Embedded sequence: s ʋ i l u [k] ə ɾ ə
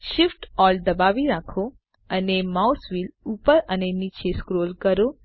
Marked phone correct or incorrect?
incorrect